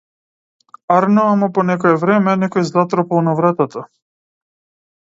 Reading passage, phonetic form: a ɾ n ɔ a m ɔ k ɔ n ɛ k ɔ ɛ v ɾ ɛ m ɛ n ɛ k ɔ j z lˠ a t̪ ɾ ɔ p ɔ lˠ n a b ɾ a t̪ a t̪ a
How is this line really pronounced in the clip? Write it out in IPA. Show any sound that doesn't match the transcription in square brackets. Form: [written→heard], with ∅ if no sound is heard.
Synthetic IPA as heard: a ɾ n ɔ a m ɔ [k→p] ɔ n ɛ k ɔ ɛ v ɾ ɛ m ɛ n ɛ k ɔ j z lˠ a t̪ ɾ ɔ p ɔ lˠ n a [b→v] ɾ a t̪ a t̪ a